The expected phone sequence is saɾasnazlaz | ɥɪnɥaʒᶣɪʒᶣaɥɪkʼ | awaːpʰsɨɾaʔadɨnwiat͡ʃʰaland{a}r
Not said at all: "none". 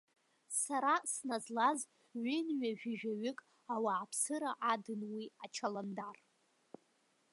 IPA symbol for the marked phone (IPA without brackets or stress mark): a